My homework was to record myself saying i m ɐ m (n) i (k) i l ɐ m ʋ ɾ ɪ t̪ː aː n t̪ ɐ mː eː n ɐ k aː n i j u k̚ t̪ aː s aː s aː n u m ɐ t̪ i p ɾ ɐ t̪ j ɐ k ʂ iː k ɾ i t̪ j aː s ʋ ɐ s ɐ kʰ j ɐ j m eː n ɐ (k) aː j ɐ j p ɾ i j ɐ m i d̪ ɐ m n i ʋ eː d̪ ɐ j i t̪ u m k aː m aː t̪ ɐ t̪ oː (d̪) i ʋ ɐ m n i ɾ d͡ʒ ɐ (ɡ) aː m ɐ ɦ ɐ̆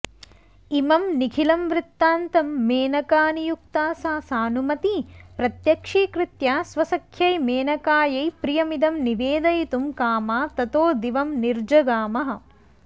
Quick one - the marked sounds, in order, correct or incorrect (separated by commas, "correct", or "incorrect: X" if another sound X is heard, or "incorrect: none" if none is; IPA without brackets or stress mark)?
correct, incorrect: kʰ, correct, correct, correct